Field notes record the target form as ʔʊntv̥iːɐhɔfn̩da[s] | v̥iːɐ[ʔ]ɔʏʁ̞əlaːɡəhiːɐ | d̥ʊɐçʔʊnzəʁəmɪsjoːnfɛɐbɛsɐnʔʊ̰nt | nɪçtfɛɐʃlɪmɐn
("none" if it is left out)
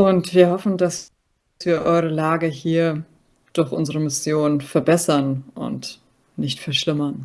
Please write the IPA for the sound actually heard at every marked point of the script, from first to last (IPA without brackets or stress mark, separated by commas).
s, ʔ